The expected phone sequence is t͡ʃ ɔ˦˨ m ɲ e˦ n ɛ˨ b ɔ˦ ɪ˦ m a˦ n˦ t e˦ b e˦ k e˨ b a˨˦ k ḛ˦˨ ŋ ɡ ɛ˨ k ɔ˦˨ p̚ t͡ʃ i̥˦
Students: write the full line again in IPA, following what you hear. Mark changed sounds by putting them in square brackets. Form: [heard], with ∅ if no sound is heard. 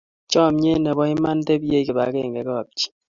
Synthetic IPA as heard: t͡ʃ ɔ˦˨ m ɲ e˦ n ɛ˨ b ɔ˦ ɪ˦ m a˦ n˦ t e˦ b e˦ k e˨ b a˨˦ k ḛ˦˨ ŋ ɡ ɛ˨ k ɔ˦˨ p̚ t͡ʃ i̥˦